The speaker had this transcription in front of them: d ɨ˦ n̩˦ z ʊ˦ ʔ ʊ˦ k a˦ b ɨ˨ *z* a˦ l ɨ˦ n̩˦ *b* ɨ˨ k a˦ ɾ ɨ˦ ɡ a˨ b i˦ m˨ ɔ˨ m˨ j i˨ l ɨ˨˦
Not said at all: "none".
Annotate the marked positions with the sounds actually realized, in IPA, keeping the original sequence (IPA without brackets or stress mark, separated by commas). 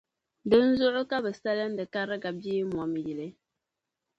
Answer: s, d